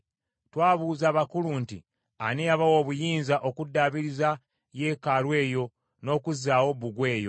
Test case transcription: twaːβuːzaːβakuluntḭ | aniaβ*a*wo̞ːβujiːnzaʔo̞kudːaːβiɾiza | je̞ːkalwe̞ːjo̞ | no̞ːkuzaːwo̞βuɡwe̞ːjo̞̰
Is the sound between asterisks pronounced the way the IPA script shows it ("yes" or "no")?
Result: yes